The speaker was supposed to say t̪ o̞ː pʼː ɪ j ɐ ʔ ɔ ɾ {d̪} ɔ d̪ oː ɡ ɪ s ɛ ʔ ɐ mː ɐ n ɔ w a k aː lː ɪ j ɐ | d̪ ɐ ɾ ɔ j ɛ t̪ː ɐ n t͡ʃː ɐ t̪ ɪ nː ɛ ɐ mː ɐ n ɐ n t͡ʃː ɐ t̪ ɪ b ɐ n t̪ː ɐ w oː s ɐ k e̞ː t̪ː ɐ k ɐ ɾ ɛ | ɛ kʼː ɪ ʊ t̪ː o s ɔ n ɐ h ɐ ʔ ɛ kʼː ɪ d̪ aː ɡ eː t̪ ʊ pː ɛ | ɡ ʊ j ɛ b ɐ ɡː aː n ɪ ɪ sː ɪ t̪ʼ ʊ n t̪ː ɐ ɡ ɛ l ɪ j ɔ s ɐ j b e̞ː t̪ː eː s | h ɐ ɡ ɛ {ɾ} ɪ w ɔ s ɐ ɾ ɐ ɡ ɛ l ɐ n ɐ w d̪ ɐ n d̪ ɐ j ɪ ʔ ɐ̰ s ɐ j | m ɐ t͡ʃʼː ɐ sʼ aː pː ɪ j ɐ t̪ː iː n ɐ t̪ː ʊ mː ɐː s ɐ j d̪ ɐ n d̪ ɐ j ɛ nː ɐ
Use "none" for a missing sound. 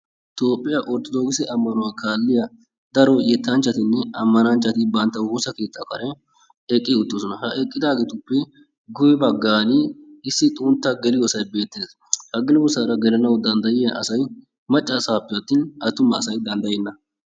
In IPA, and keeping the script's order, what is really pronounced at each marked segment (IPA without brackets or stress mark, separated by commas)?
t̪, l